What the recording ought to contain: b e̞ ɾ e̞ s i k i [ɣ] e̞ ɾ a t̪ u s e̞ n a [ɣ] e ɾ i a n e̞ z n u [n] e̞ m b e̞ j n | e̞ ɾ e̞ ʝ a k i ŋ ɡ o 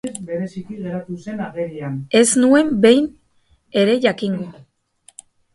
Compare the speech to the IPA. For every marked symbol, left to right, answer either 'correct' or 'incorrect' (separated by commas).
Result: correct, correct, incorrect